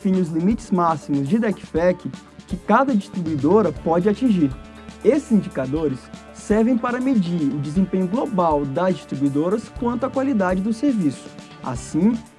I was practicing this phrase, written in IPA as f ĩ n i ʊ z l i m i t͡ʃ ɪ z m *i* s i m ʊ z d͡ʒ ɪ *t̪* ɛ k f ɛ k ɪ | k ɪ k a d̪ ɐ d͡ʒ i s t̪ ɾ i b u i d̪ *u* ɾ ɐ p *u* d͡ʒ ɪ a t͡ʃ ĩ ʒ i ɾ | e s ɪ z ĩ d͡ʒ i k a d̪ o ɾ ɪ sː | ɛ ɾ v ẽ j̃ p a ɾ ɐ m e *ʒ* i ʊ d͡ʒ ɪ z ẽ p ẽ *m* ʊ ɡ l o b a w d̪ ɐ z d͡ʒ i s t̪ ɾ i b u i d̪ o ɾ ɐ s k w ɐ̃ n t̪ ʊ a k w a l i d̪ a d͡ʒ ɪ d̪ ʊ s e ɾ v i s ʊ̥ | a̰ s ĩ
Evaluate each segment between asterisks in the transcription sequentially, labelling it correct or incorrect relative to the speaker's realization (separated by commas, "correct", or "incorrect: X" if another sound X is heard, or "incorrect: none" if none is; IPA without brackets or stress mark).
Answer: incorrect: a, incorrect: d̪, incorrect: o, incorrect: ɔ, incorrect: d͡ʒ, incorrect: ɲ